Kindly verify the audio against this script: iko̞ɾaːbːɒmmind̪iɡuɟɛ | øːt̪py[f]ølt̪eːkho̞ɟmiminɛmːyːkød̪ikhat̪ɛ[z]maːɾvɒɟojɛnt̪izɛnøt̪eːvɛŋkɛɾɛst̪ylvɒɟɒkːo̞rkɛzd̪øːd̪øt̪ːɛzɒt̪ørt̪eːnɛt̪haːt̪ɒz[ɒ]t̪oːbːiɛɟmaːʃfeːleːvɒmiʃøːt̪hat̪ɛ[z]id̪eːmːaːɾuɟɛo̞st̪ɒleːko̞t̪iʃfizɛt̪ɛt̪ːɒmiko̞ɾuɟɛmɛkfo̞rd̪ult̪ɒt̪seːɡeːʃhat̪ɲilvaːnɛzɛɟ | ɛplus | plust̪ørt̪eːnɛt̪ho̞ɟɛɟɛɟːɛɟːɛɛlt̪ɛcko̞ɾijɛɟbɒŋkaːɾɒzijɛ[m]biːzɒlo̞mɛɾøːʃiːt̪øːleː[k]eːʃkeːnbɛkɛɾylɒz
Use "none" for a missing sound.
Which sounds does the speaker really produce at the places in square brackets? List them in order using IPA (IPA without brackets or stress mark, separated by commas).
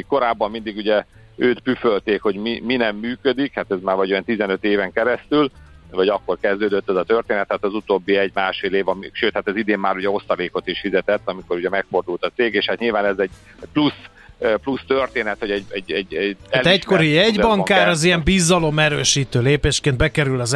f, z, u, z, m, p